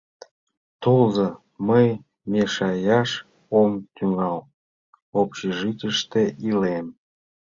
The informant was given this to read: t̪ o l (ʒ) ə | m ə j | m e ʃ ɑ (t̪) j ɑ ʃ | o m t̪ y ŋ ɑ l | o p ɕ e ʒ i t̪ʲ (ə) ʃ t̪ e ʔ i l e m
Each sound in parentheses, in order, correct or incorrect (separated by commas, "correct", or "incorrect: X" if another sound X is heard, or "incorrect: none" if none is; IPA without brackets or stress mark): incorrect: z, incorrect: none, correct